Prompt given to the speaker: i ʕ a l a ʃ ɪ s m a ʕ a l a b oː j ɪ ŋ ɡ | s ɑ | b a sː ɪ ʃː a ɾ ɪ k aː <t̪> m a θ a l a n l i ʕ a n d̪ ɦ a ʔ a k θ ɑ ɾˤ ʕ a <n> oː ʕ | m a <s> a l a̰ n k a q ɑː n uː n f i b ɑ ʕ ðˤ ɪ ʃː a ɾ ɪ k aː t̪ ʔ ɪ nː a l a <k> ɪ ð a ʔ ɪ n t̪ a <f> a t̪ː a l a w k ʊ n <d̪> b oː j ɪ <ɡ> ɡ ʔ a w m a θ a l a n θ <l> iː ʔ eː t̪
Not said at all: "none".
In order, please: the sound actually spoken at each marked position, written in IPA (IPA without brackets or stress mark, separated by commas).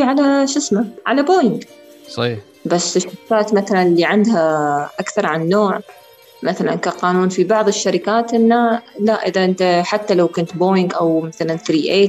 t̪, nː, θ, ʔ, ħ, t̪, ŋ, ɾ